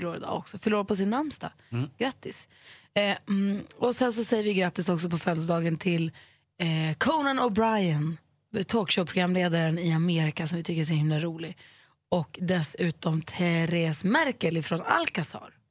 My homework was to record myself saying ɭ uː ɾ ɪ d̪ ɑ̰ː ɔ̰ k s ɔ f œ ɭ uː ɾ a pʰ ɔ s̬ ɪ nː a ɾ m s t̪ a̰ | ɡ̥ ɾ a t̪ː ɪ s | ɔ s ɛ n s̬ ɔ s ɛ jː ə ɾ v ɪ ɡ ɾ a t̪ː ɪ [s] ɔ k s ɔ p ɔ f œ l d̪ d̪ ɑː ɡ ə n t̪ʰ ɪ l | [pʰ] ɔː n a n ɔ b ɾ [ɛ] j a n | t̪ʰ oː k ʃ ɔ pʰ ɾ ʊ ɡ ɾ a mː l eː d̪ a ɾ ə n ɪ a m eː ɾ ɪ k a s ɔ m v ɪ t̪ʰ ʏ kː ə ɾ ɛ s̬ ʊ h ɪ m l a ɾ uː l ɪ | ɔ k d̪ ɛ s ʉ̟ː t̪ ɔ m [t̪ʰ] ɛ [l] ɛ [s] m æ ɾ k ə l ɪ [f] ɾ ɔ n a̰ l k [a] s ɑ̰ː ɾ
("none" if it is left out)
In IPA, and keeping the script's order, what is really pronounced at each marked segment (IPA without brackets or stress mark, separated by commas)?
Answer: s, kʰ, a, t̪ʰ, ɾ, s, f, a